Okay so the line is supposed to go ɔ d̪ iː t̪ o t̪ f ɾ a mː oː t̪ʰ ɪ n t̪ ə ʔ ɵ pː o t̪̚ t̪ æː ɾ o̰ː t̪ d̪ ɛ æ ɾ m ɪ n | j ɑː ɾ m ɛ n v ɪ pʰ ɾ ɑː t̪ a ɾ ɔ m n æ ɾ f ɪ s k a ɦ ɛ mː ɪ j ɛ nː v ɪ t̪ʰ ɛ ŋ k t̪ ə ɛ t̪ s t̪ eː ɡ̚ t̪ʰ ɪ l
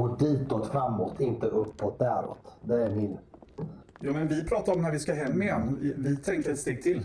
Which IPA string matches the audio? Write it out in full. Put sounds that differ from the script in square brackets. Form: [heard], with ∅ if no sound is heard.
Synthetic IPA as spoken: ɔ d̪ iː t̪ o t̪ f ɾ a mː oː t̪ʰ ɪ n t̪ ə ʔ ɵ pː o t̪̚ [d̪] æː ɾ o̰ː t̪ d̪ ɛ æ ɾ m ɪ n | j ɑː [∅] m ɛ n v ɪ pʰ ɾ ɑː t̪ a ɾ ɔ m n æ ɾ [v] ɪ s k a ɦ ɛ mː ɪ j ɛ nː v ɪ t̪ʰ ɛ ŋ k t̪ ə ɛ t̪ s t̪ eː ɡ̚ t̪ʰ ɪ l